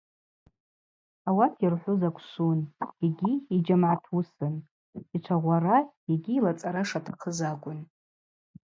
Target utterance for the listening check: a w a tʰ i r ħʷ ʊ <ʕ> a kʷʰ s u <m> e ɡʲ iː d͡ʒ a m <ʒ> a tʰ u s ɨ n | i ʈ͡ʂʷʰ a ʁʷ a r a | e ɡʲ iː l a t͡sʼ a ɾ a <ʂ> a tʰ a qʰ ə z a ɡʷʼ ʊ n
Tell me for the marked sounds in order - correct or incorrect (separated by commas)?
incorrect, incorrect, incorrect, correct